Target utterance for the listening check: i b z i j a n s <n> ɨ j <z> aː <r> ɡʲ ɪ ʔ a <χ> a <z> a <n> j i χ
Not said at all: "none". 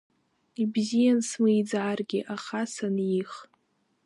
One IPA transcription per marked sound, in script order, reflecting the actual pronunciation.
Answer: m, d͡z, r, χ, s, n

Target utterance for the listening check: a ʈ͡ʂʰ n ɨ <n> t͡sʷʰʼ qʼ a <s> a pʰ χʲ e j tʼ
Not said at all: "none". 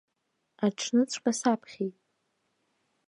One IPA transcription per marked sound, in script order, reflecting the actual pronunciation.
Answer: none, s

